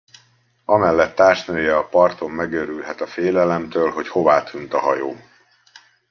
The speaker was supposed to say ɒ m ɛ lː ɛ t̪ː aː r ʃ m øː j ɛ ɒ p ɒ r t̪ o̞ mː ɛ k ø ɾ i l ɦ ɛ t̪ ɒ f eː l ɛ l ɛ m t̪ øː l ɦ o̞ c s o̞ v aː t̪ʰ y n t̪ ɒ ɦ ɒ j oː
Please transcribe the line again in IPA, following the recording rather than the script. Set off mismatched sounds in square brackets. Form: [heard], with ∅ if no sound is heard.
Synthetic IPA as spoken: ɒ m ɛ lː ɛ t̪ː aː r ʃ [n] øː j ɛ ɒ p ɒ r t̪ o̞ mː ɛ [ɡ] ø ɾ [y] l ɦ ɛ t̪ ɒ f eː l ɛ l ɛ m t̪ øː l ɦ o̞ c [h] o̞ v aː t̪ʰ y n t̪ ɒ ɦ ɒ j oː